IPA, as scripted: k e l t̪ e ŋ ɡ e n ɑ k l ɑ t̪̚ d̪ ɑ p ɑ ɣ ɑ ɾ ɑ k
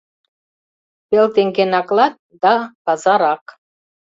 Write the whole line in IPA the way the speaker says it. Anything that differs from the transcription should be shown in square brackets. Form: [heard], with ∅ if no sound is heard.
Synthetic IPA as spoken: [p] e l t̪ e ŋ ɡ e n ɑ k l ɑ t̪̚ d̪ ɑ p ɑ [z] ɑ ɾ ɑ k